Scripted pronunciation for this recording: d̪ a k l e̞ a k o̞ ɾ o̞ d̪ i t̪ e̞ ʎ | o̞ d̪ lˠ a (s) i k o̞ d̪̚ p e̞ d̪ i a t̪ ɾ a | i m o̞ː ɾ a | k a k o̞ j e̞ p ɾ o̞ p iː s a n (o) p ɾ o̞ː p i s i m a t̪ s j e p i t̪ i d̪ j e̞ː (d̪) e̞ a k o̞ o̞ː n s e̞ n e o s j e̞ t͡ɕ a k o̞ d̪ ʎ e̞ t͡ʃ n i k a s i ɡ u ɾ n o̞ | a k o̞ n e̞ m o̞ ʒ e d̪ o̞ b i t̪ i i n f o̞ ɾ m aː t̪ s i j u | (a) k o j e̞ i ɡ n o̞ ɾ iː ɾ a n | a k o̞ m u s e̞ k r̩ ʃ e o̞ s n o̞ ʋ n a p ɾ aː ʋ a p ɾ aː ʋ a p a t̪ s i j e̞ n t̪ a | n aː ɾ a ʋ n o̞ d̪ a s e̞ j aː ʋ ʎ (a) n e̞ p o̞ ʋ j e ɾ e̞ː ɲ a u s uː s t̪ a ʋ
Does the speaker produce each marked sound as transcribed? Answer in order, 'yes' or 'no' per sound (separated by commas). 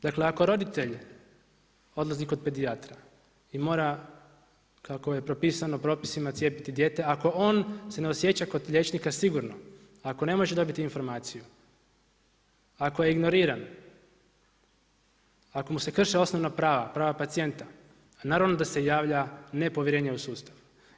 no, yes, no, yes, yes